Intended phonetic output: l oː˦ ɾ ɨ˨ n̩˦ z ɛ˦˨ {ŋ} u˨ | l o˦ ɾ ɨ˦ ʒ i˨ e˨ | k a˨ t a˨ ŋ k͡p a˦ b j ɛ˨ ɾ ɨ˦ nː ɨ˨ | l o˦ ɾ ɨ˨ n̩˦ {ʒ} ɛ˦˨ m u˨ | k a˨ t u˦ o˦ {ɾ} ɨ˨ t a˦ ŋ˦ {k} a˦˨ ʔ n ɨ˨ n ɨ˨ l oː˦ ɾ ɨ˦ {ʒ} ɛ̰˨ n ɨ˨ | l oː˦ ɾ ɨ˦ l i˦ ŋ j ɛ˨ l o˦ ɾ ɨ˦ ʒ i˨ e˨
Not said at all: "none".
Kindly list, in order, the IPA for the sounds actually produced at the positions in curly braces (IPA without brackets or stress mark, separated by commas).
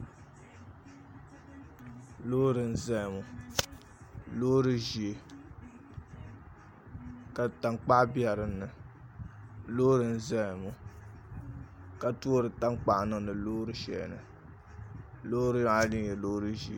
m, z, ɾ, k͡p, ʃ